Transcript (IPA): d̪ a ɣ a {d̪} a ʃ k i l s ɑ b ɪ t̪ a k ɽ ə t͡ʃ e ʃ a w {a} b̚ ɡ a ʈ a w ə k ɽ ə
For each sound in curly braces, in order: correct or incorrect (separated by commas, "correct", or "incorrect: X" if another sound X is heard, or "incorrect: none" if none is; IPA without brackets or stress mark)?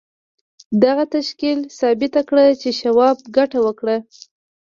incorrect: t̪, incorrect: ɑ